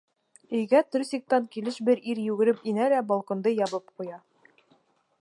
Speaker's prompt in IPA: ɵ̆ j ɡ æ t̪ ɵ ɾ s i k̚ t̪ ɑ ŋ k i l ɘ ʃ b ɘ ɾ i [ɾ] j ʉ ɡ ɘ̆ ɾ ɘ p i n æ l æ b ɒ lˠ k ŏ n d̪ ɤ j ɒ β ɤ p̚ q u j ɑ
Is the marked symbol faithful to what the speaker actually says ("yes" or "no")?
yes